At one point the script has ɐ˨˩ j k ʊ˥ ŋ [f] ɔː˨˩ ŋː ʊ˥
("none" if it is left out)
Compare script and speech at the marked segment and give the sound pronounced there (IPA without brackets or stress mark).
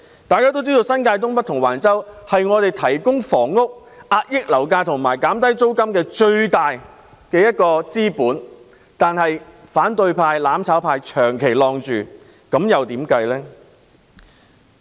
f